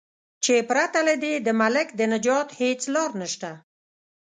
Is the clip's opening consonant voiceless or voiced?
voiceless